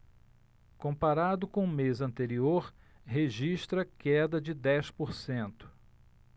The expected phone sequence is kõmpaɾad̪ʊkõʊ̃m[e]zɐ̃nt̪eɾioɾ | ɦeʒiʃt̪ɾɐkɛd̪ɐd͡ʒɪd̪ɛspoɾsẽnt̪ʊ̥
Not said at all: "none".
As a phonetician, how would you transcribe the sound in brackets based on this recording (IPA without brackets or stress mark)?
e